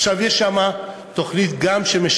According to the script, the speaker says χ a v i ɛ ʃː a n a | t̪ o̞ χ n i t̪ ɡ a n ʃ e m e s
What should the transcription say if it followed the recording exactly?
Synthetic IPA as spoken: ʃ a v j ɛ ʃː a m a | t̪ o̞ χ n i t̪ ɡ a m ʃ e m e ʃ